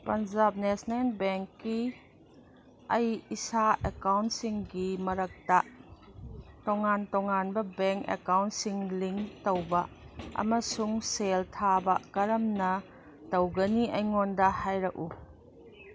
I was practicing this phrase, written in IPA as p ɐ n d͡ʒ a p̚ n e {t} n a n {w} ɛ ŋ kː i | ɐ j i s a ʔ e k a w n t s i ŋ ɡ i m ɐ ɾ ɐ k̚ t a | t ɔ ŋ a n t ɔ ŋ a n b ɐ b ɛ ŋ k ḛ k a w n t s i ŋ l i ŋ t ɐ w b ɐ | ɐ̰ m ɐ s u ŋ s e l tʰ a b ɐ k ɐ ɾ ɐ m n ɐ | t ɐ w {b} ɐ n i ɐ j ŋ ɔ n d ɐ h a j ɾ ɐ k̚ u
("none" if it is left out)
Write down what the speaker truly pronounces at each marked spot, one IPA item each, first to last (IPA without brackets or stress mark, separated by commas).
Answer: s, b, ɡ